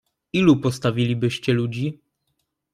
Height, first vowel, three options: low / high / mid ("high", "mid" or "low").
high